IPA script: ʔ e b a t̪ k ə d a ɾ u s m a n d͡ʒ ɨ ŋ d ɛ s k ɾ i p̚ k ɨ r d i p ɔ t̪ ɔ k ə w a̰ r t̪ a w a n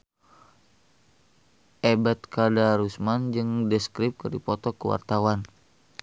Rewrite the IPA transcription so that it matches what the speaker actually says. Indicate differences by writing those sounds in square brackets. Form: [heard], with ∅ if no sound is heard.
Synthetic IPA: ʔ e b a t̪ k [a] d a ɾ u s m a n d͡ʒ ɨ ŋ d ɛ s k ɾ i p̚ k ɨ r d i p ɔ t̪ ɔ k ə w a̰ r t̪ a w a n